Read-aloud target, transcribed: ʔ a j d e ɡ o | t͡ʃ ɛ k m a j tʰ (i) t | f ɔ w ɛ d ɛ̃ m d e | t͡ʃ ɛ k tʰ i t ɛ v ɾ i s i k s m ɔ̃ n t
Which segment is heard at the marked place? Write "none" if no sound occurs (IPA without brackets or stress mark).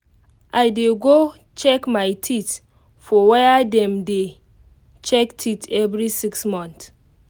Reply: i